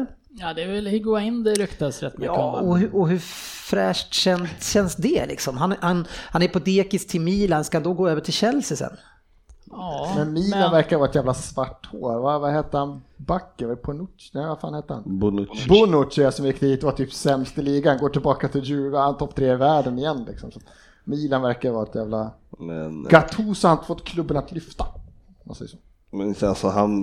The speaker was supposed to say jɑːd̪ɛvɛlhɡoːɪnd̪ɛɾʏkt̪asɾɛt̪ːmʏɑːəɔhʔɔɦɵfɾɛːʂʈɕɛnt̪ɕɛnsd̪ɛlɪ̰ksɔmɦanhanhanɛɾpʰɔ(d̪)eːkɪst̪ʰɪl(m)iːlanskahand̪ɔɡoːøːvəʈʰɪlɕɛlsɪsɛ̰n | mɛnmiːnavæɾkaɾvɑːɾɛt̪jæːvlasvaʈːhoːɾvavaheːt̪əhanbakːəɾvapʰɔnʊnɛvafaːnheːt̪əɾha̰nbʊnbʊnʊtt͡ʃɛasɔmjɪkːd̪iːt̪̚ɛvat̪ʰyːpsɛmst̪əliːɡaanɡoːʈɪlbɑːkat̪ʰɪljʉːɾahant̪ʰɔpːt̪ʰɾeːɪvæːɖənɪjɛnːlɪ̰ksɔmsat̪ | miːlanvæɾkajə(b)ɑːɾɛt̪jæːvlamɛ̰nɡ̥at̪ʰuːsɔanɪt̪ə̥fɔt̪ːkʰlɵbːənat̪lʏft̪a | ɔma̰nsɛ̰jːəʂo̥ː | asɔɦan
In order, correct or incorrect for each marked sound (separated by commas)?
correct, correct, incorrect